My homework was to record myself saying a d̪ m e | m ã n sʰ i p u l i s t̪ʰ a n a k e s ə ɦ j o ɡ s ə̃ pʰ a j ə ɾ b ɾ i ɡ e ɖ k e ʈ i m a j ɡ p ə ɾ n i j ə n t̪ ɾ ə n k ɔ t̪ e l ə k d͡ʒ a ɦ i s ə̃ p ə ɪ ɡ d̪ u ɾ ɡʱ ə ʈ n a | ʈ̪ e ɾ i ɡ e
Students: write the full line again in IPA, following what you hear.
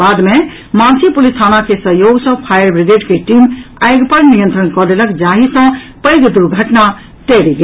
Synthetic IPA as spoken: a d̪ m e | m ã n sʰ i p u l i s t̪ʰ a n a k e s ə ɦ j o ɡ s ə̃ pʰ a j ə ɾ b ɾ i ɡ e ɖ k e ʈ i m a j ɡ p ə ɾ n i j ə n t̪ ɾ ə n k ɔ d̪ e l ə k d͡ʒ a ɦ i s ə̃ p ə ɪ ɡ d̪ u ɾ ɡʱ ə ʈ n a | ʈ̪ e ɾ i ɡ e